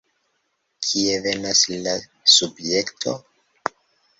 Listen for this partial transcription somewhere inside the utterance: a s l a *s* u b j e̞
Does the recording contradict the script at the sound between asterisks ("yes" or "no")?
no